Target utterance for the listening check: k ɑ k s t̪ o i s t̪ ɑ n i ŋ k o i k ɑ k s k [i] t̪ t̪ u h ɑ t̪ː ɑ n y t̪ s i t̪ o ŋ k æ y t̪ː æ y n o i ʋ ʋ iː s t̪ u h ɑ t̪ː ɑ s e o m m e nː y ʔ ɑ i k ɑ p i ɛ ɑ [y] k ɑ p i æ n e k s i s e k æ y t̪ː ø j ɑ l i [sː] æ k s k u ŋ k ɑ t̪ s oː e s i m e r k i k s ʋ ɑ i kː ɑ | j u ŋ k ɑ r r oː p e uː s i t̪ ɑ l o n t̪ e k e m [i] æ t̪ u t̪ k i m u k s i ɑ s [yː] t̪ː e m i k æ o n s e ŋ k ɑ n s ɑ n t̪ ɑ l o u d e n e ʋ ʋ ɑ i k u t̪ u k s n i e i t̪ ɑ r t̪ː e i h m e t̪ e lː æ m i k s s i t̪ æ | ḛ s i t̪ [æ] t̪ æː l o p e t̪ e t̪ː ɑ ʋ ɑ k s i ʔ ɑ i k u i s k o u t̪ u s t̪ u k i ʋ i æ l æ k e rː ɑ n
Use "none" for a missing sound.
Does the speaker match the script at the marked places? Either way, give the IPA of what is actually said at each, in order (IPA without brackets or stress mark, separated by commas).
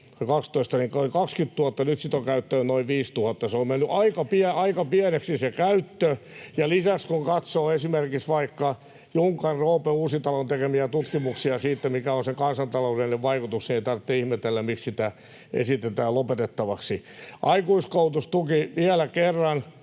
y, i, s, i, iː, e